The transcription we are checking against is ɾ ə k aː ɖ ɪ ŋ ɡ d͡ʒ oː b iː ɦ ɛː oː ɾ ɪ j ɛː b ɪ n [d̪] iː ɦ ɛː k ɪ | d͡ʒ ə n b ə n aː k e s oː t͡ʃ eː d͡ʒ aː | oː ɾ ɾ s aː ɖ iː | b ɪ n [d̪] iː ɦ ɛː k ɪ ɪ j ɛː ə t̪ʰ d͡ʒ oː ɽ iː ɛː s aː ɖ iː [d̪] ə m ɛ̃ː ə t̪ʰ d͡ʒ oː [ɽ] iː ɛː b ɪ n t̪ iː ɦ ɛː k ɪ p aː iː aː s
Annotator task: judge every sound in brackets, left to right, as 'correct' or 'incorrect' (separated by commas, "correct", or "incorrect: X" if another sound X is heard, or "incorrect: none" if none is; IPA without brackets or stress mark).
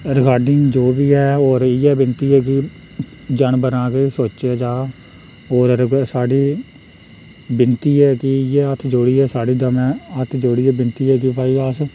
incorrect: t̪, incorrect: t̪, correct, correct